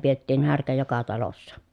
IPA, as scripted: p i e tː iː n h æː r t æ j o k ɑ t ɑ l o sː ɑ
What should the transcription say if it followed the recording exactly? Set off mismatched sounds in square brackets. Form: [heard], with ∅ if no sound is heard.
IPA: p i e tː iː n h [æ] r [k] æ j o k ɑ t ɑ l o sː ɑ